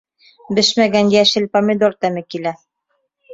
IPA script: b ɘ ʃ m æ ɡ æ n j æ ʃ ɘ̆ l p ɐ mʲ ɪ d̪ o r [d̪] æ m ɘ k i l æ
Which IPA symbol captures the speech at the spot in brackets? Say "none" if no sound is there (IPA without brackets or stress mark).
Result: t̪